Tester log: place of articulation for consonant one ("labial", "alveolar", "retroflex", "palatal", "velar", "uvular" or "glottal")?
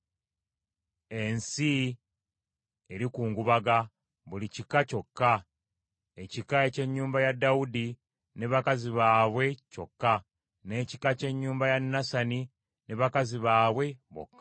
alveolar